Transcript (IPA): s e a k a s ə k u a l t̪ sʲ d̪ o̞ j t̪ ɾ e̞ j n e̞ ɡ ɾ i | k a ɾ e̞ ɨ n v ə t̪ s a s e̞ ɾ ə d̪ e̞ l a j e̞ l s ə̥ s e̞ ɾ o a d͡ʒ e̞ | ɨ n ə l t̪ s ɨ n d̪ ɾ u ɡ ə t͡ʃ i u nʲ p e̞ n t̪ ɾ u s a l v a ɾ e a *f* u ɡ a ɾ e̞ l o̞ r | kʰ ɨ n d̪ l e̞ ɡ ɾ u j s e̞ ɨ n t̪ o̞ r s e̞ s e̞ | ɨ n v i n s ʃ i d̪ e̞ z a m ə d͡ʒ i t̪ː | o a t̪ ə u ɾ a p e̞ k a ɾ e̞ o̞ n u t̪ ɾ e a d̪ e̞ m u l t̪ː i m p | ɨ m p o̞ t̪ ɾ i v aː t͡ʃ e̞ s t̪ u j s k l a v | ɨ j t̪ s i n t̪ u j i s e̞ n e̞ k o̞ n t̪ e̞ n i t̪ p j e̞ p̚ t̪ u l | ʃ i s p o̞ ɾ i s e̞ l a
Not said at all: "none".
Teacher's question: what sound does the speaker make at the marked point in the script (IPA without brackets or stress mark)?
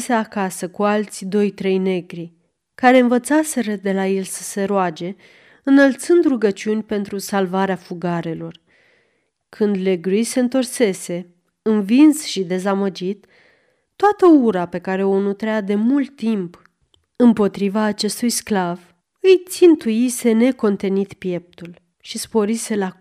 f